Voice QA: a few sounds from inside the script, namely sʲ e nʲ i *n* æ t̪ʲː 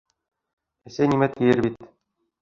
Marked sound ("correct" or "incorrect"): incorrect